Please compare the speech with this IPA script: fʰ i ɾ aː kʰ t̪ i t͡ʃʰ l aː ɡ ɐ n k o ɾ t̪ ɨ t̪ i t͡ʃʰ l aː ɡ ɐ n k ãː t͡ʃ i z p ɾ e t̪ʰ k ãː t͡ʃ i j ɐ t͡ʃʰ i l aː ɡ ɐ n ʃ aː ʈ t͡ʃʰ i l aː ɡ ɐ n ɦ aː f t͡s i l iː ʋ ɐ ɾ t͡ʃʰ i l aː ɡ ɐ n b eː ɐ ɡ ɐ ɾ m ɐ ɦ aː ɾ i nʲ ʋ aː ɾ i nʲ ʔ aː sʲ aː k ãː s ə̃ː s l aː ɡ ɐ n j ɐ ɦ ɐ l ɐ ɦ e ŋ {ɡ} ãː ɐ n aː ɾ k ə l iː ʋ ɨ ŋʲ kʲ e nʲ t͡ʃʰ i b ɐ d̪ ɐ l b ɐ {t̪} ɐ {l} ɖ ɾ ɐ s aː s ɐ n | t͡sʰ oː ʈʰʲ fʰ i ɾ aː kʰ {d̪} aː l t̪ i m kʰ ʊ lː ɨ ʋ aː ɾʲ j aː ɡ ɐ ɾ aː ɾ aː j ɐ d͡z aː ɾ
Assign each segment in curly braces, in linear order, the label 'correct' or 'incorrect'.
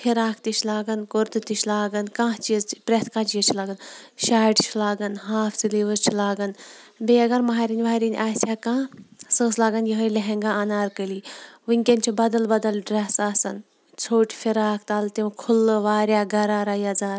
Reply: correct, incorrect: d̪, correct, incorrect: t̪

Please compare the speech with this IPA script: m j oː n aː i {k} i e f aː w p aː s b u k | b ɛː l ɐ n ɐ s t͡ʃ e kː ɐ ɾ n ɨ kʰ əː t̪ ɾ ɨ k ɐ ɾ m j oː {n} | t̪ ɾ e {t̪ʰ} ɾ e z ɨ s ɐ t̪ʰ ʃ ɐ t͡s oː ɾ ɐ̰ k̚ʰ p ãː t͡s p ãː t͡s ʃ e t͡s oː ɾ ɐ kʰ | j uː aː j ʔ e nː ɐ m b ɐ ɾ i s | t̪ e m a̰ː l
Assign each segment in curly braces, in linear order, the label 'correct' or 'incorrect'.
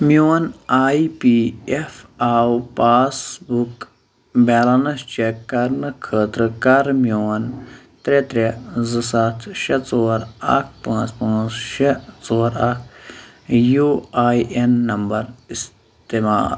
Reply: incorrect: p, correct, incorrect: t̪

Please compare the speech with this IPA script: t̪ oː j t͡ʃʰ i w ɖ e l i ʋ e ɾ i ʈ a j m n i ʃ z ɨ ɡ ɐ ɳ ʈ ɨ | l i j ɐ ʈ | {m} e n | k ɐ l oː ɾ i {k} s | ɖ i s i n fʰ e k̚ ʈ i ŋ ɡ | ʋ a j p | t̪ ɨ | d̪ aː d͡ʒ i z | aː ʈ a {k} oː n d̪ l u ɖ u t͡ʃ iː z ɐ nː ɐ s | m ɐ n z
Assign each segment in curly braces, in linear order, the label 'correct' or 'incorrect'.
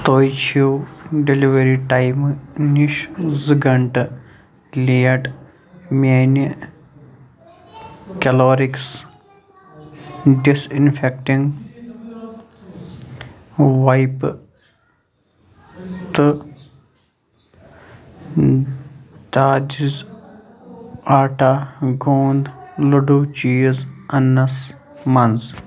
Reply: correct, correct, incorrect: ɡ

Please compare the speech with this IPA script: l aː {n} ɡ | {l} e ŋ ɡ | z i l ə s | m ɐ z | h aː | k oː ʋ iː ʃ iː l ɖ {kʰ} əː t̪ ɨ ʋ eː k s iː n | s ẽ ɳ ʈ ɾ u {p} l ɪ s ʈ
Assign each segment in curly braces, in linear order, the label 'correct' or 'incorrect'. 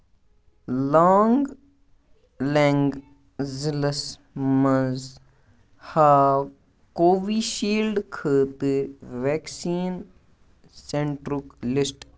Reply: incorrect: ŋ, correct, correct, incorrect: k

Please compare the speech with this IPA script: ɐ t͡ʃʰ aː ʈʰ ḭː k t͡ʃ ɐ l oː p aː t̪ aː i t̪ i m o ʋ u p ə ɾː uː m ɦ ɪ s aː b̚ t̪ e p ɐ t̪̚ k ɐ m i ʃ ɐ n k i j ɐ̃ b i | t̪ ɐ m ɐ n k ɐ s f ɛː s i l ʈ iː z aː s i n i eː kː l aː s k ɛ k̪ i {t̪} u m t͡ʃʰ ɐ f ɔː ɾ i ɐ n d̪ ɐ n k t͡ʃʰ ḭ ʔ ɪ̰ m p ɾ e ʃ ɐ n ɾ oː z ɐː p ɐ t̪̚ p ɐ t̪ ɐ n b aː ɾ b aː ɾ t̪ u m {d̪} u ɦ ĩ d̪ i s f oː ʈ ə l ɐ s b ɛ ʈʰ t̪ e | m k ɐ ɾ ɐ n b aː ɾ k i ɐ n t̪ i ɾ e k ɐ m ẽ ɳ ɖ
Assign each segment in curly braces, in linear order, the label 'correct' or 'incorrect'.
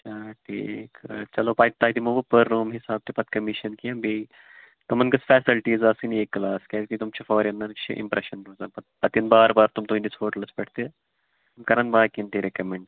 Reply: correct, incorrect: t̪

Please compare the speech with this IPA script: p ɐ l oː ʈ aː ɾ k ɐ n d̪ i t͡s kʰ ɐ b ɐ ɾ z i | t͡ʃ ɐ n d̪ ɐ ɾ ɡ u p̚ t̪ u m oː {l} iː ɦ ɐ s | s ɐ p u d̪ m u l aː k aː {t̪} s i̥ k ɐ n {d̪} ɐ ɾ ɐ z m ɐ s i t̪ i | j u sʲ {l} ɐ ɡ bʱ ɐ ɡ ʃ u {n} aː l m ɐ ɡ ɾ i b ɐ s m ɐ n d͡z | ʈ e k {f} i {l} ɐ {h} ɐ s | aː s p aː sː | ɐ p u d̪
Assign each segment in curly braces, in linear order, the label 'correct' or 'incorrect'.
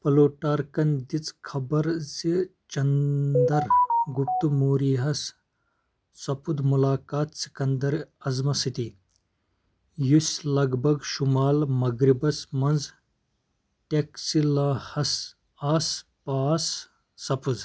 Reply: incorrect: ɾ, correct, correct, correct, incorrect: m, incorrect: s, correct, correct

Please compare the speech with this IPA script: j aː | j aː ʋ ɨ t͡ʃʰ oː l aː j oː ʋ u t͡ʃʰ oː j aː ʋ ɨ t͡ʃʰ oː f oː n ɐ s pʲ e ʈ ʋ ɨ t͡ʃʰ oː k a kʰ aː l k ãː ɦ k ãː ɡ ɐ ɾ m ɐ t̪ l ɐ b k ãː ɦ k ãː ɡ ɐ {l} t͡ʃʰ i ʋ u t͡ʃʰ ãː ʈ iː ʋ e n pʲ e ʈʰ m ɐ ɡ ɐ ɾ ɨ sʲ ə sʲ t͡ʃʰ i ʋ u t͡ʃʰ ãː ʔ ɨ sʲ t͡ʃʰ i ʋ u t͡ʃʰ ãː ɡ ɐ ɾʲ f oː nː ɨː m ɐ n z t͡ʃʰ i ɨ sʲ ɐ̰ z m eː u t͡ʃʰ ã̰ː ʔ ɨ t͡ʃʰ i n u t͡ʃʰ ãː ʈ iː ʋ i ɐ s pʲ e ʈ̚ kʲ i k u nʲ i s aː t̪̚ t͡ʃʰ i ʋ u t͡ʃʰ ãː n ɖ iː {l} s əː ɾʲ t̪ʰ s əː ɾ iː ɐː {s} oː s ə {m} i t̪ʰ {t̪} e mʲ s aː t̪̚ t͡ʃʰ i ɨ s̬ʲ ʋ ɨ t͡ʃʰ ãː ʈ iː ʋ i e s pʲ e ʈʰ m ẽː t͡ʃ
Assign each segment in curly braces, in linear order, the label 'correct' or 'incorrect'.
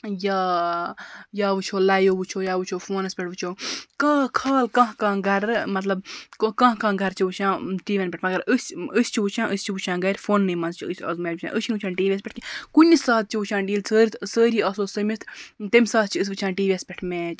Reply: incorrect: ɾ, correct, correct, correct, correct

